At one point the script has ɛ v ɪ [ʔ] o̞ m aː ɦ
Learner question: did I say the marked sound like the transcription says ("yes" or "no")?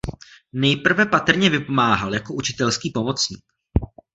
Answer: no